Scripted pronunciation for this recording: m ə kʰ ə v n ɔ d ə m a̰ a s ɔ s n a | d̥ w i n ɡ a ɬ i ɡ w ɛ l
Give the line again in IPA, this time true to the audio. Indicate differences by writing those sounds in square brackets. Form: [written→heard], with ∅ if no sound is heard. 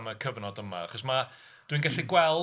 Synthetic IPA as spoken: m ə kʰ ə v n ɔ d ə m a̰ a [s→χ] ɔ s [n→m] a | d̥ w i n ɡ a ɬ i ɡ w ɛ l